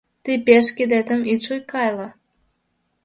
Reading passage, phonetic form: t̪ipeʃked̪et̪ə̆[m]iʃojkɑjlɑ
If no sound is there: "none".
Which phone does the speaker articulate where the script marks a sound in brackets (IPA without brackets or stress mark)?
m